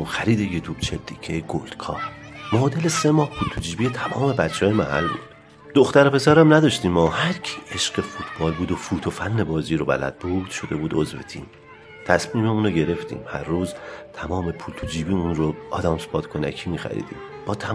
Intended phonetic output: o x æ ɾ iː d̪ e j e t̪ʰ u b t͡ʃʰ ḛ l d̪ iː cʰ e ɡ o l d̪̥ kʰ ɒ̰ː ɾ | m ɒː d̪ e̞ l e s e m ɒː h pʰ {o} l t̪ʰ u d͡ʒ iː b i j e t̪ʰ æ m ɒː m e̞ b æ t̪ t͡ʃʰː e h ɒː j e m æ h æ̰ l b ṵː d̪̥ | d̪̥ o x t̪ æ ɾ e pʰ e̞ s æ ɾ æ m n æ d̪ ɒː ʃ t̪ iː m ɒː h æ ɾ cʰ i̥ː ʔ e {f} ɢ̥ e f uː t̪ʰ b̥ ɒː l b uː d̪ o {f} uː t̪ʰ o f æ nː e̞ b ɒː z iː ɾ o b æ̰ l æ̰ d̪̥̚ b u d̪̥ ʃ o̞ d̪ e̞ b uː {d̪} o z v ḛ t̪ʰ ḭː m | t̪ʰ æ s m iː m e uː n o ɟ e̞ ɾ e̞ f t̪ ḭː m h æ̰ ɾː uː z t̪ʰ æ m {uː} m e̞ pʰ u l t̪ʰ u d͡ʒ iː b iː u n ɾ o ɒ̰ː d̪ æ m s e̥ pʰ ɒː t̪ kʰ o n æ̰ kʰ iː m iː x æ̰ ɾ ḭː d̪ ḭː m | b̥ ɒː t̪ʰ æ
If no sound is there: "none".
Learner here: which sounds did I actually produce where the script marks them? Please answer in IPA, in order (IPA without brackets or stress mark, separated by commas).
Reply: u, ʃ, f, d̪, ɒː